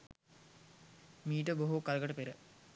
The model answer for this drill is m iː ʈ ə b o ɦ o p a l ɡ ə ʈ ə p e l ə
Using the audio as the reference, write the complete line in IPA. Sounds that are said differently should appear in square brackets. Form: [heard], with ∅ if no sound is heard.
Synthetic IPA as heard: m iː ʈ ə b o ɦ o [k] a l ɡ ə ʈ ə p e [ɾ] ə